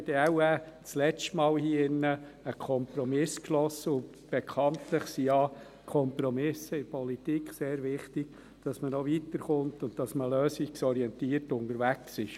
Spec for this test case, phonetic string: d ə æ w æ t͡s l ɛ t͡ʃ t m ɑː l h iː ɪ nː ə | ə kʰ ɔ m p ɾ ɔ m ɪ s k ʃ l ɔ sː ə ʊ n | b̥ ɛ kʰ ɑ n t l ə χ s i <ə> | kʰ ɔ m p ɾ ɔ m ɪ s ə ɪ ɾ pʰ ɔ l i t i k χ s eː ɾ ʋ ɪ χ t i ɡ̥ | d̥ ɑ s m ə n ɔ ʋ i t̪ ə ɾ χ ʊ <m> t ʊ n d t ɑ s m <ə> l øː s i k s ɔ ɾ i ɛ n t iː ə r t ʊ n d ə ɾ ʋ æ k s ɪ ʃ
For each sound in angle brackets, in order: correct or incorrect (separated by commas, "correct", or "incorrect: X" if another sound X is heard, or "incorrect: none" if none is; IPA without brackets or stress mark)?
incorrect: ɑ, incorrect: n, correct